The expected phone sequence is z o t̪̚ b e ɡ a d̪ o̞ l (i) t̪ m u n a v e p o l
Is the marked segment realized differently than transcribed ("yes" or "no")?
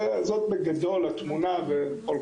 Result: yes